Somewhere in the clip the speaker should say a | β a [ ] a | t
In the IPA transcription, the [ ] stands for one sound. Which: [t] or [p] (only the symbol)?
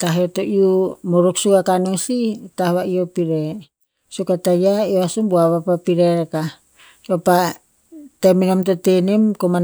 p